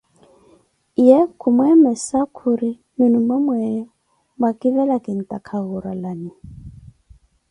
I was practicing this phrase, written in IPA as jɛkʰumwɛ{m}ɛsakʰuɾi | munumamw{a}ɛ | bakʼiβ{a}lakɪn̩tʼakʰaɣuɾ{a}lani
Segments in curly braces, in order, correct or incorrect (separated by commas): correct, incorrect, incorrect, correct